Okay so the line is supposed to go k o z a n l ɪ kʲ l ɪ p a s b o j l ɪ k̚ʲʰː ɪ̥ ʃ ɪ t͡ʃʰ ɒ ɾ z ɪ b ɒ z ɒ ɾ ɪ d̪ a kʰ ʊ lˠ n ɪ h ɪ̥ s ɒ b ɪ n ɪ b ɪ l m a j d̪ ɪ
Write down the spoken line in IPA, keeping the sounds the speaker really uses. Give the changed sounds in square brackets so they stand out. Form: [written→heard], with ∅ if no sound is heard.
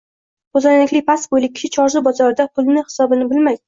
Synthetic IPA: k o z a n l ɪ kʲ l ɪ p a s b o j l ɪ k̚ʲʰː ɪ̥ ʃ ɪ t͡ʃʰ ɒ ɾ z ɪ b ɒ z ɒ ɾ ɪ d̪ a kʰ ʊ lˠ n ɪ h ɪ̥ s ɒ b ɪ n ɪ b ɪ l m a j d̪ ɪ